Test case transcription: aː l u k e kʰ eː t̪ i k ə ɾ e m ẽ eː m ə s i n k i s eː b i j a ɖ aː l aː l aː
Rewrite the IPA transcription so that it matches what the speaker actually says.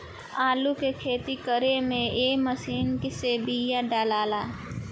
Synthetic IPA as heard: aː l u k e kʰ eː t̪ i k ə ɾ e m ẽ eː m ə s iː n k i s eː b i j a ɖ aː l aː l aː